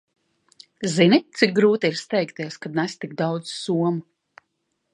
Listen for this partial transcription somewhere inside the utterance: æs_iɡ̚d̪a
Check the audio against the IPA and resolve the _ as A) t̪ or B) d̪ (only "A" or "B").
A